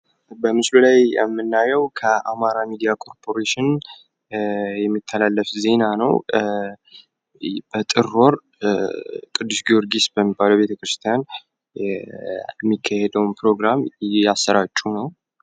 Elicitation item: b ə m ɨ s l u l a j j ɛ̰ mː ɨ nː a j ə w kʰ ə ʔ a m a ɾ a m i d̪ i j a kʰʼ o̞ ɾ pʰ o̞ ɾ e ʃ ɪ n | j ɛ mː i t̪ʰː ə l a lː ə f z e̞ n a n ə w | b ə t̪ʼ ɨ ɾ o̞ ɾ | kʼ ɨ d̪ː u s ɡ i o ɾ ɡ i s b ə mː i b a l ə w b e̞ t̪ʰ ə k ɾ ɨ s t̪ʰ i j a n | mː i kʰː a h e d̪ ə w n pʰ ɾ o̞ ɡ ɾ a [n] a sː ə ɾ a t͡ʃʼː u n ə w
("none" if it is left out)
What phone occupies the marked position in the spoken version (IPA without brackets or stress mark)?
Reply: m